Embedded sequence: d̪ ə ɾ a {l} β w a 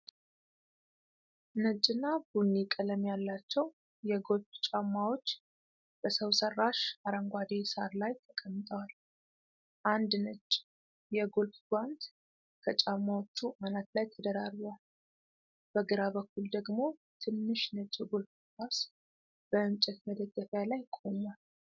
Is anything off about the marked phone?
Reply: yes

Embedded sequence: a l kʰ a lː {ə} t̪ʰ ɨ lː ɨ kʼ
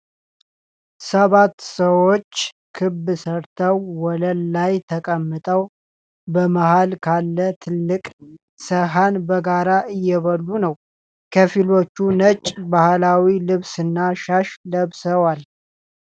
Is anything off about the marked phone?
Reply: no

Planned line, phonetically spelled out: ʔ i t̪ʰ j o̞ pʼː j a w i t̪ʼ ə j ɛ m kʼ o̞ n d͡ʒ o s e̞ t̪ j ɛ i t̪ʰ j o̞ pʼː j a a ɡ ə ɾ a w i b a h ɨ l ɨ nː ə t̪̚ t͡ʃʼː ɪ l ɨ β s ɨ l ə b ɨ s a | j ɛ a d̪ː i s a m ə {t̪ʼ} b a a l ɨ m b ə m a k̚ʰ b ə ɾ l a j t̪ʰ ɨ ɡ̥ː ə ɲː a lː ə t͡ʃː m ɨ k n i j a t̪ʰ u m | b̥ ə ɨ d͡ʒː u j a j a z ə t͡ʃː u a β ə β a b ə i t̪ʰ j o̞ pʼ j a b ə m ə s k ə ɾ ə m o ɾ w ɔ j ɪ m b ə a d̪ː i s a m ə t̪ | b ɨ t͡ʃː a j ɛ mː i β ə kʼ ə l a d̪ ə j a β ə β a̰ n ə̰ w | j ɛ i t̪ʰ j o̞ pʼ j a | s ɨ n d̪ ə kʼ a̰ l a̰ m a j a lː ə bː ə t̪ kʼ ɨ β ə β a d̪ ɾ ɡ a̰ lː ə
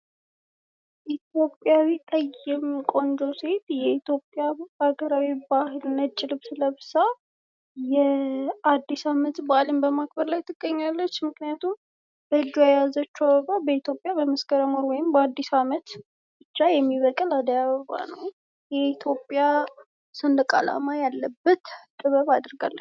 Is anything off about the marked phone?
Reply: yes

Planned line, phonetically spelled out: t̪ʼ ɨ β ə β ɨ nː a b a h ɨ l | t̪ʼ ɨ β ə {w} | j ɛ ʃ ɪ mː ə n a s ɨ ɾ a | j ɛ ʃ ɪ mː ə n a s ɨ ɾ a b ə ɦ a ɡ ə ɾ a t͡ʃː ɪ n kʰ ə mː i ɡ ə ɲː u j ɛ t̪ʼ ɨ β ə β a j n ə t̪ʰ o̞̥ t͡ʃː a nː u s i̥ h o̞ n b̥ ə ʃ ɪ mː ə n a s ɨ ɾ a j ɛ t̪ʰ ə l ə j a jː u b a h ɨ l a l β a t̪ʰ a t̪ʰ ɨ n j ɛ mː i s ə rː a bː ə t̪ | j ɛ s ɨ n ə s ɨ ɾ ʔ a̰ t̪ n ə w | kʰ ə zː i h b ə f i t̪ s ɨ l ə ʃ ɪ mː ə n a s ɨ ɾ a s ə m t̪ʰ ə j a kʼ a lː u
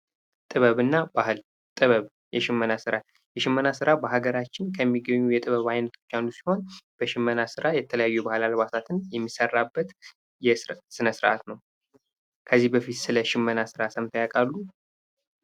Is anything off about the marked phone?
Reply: yes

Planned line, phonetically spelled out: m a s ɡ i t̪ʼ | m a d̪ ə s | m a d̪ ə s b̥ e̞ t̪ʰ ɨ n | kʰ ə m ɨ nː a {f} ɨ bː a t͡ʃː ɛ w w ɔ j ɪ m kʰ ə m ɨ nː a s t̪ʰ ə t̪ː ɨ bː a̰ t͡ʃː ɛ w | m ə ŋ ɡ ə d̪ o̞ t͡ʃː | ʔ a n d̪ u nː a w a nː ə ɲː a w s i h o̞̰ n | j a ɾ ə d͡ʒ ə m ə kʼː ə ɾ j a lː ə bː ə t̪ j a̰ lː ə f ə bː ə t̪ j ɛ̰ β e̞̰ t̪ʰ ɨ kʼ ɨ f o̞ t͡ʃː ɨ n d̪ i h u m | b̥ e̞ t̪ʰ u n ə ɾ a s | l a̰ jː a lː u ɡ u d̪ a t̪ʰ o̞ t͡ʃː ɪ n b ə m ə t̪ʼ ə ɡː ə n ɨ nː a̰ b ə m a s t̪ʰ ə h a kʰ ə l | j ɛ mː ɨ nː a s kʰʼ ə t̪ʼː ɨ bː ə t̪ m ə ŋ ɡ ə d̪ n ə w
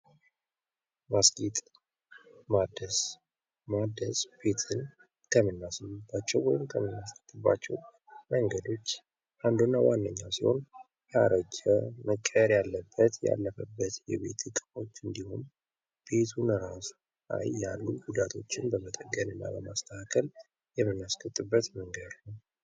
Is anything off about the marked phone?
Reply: yes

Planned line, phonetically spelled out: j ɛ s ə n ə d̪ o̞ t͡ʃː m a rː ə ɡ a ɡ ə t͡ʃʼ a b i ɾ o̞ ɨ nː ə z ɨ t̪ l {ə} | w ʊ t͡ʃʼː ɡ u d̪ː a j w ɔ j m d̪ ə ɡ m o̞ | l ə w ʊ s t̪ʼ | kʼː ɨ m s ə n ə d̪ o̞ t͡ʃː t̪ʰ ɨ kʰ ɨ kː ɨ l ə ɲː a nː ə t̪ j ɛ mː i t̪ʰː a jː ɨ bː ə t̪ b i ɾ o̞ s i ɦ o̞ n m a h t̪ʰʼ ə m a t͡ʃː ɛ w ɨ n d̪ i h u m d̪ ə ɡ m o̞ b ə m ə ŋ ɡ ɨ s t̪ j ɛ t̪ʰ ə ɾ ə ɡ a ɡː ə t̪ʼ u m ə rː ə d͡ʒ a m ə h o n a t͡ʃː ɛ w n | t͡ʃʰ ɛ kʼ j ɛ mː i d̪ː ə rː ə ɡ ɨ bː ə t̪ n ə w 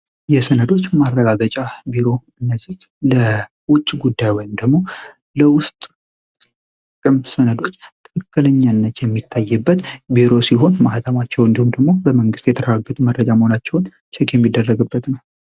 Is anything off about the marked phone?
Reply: no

